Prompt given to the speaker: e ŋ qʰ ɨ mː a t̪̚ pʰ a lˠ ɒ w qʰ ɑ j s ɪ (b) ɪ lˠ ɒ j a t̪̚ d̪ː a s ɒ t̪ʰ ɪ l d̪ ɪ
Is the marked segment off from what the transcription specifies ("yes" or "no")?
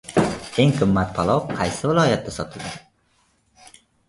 yes